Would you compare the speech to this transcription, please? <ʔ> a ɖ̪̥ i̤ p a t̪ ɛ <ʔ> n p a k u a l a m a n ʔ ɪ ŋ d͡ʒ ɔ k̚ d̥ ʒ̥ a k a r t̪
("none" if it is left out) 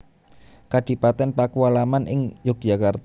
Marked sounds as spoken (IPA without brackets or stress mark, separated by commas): k, none